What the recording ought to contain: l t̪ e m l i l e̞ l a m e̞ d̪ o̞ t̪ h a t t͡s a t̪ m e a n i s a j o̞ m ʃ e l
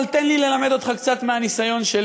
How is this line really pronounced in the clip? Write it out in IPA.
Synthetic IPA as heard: l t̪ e n l i l e̞ l a m e̞ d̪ o̞ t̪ χ a k t͡s a t̪ m e a n i s a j o̞ n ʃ e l